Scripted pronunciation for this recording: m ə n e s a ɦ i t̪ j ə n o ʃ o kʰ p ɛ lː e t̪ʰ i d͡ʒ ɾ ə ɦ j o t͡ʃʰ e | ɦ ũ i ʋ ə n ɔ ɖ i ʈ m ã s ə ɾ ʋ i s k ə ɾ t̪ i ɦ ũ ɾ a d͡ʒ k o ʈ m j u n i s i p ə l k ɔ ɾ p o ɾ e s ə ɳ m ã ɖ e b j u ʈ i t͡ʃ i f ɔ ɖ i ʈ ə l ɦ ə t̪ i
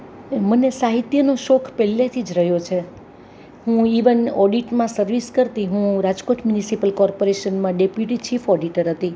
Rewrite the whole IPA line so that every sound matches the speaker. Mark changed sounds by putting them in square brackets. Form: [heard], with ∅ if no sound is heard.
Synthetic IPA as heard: m ə n e s a ɦ i t̪ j ə n o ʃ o kʰ p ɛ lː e t̪ʰ i d͡ʒ ɾ ə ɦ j o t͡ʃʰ e | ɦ ũ i ʋ ə n ɔ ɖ i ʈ m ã s ə ɾ ʋ i s k ə ɾ t̪ i ɦ ũ ɾ a d͡ʒ k o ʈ m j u n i s i p ə l k ɔ ɾ p o ɾ e [ʃ] ə [n] m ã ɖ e [p] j u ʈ i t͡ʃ i f ɔ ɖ i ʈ ə [ɾ] ɦ ə t̪ i

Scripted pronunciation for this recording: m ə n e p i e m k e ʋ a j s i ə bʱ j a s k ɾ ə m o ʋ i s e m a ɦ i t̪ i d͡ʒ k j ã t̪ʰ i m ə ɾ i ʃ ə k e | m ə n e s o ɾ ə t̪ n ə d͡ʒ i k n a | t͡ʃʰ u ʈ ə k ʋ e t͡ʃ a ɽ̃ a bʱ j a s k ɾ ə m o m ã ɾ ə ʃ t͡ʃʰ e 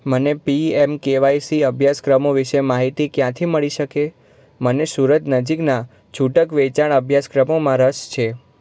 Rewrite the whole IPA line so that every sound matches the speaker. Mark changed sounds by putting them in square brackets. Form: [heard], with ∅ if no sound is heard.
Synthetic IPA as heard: m ə n e p i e m k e ʋ a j s i ə bʱ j a s k ɾ ə m o ʋ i [ʃ] e m a ɦ i t̪ i [∅] k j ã t̪ʰ i m ə [ɭ] i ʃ ə k e | m ə n e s [u] ɾ ə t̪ n ə d͡ʒ i k n a | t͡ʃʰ u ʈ ə k ʋ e t͡ʃ a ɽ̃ [ə] bʱ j a s k ɾ ə m o m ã ɾ ə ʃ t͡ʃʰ e

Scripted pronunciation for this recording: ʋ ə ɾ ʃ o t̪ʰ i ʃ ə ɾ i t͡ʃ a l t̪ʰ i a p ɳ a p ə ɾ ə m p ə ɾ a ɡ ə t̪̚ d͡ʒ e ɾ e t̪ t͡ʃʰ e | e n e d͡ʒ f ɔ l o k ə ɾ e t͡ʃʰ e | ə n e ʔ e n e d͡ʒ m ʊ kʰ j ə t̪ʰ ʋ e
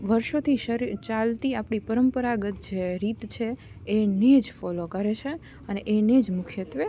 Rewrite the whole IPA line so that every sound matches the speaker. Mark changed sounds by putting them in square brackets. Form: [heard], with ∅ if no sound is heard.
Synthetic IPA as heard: ʋ ə ɾ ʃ o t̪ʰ i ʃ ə ɾ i t͡ʃ a l [t̪] i a p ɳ [i] p ə ɾ ə m p ə ɾ a ɡ ə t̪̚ d͡ʒ e ɾ [i] t̪ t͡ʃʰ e | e n e d͡ʒ f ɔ l o k ə ɾ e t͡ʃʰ e | ə n e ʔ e n e d͡ʒ m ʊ kʰ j ə [t̪] ʋ e

